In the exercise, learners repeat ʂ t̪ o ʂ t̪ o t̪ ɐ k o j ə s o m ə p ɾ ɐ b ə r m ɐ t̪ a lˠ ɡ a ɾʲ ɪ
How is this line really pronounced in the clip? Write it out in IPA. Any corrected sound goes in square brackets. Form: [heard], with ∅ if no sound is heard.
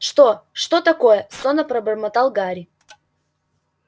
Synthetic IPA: ʂ t̪ o ʂ t̪ o t̪ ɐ k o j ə s o [n] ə p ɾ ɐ b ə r m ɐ t̪ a lˠ ɡ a ɾʲ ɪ

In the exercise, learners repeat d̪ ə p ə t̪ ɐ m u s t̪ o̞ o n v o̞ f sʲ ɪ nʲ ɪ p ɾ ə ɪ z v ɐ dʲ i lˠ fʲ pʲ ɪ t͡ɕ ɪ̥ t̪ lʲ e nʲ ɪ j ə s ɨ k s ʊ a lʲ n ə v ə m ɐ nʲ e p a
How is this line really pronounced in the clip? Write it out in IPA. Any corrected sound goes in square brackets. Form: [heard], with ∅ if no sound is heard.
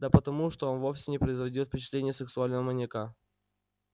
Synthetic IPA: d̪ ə p ə t̪ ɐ m u [ʂ] t̪ o̞ o n v o̞ f sʲ ɪ nʲ ɪ p ɾ ə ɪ z v ɐ dʲ i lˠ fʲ pʲ ɪ t͡ɕ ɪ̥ t̪ lʲ e nʲ ɪ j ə s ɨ k s ʊ a lʲ n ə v ə m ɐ nʲ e [k] a

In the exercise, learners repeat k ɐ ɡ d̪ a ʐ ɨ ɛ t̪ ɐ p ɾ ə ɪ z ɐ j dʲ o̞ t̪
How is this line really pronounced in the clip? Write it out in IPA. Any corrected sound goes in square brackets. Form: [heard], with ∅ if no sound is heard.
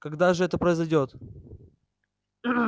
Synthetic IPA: k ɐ ɡ d̪ a ʐ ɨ ɛ t̪ [ə] p ɾ ə ɪ z ɐ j dʲ o̞ t̪

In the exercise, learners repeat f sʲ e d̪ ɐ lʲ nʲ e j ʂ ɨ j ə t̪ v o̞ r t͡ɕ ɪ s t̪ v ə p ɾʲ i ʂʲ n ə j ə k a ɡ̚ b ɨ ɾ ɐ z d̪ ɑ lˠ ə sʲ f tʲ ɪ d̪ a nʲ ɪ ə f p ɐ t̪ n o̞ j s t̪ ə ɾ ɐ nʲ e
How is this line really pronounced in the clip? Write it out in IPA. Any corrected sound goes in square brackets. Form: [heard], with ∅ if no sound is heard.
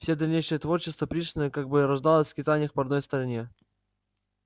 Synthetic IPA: f sʲ e d̪ ɐ lʲ nʲ e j ʂ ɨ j ə t̪ v o̞ r t͡ɕ ɪ s t̪ v ə p ɾʲ i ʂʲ n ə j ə k a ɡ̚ b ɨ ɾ ɐ [ʐ] d̪ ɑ lˠ ə sʲ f [kʲ] ɪ [t̪] a nʲ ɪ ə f p ɐ [d̪] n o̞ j s t̪ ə ɾ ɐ nʲ e

